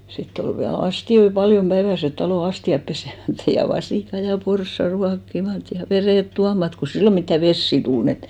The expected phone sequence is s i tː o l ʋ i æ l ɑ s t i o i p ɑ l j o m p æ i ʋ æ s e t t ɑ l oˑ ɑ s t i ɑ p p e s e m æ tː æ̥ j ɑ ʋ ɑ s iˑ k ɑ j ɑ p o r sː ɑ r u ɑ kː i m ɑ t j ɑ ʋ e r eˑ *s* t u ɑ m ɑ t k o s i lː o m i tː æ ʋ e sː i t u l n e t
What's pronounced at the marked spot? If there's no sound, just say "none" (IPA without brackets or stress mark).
t